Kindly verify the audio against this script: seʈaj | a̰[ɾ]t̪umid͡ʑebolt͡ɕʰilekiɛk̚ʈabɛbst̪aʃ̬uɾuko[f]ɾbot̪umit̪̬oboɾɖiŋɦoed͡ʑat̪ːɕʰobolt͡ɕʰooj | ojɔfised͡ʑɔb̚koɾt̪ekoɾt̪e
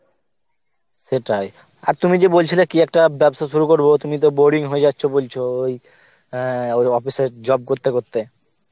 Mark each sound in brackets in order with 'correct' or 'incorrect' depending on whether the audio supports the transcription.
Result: correct, incorrect: none

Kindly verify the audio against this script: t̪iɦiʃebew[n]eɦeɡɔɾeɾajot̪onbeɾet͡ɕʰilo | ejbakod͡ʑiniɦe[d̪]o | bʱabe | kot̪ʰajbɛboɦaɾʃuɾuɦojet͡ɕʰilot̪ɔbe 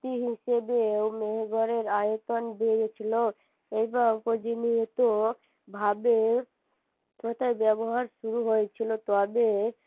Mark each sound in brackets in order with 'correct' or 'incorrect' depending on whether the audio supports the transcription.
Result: incorrect: m, incorrect: t̪

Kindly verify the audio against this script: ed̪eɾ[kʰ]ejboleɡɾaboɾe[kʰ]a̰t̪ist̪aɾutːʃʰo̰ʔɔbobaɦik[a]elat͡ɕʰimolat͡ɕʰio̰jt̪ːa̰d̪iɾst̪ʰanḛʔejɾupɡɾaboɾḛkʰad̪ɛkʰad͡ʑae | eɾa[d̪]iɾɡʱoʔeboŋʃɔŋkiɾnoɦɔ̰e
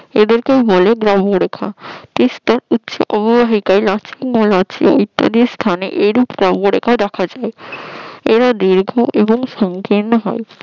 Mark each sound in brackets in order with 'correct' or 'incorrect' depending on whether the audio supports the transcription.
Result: incorrect: k, correct, correct, correct

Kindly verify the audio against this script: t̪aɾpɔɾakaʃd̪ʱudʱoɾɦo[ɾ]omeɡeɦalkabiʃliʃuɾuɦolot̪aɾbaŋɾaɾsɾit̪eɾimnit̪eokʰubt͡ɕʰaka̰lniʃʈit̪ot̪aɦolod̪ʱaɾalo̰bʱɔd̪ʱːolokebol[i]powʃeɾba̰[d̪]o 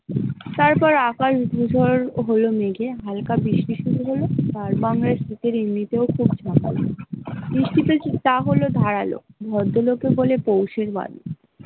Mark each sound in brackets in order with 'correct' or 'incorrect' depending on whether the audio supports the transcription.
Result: incorrect: l, incorrect: e, correct

